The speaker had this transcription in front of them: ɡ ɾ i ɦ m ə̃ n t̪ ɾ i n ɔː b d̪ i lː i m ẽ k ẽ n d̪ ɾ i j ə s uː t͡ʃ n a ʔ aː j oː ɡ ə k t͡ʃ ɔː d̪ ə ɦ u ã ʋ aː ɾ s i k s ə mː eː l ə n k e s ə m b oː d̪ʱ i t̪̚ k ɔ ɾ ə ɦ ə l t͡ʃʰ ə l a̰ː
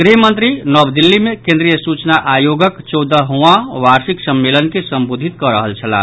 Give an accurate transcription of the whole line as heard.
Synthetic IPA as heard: ɡ ɾ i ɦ m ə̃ n t̪ ɾ i n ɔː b d̪ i lː i m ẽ k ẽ n d̪ ɾ i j ə s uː t͡ʃ n a ʔ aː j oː ɡ ə k t͡ʃ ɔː d̪ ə ɦ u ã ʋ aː ɾ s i k s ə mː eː l ə n k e s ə m b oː d̪ʱ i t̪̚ k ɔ ɾ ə ɦ ə l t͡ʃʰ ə l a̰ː